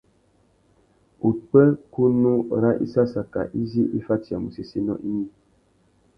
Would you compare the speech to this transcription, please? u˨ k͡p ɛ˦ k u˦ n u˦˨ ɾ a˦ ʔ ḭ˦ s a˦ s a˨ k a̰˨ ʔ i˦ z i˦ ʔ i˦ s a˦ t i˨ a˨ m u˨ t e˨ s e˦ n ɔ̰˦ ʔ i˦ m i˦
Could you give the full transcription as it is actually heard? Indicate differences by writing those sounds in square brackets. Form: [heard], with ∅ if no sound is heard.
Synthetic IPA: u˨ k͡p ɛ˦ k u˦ n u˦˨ ɾ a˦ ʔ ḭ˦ s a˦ s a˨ k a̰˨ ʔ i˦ z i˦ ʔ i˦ [f] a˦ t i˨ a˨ m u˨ [s] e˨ s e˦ n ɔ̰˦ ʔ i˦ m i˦